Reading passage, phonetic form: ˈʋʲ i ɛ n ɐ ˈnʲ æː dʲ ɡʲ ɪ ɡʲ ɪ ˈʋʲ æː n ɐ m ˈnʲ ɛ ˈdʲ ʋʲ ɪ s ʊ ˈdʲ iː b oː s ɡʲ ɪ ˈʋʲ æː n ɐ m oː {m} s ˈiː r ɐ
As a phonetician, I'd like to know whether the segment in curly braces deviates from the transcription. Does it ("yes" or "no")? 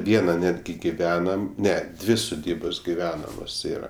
yes